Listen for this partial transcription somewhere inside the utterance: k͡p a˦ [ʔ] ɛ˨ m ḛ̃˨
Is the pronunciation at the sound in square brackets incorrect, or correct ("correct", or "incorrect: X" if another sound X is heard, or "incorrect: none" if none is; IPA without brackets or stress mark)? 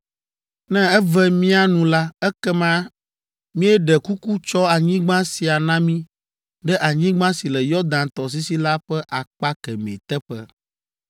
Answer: incorrect: k